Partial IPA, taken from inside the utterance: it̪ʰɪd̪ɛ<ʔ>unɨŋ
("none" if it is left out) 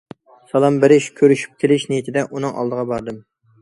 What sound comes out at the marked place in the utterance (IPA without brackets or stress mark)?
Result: ʔ